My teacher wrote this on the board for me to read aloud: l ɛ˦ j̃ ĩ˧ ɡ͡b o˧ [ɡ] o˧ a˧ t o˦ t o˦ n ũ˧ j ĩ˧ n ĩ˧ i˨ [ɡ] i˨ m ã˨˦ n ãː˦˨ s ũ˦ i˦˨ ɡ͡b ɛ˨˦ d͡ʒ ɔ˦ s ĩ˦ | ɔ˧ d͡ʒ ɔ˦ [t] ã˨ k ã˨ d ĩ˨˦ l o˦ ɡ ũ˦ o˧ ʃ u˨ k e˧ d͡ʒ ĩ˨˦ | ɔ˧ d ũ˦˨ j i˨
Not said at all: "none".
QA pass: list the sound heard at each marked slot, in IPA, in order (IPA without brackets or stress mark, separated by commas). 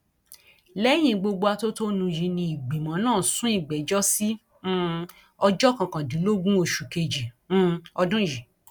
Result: ɡ͡b, ɡ͡b, k